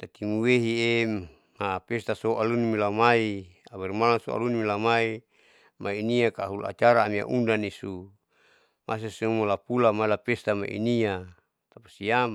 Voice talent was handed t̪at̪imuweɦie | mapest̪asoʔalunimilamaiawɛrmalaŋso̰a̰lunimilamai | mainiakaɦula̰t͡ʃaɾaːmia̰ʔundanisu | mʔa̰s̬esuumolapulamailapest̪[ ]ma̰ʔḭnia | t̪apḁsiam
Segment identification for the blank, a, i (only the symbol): a